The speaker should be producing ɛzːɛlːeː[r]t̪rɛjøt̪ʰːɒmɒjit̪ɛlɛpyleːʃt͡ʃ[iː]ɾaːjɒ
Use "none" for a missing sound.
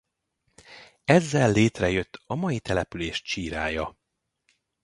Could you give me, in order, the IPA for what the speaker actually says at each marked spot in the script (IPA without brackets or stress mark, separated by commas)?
none, iː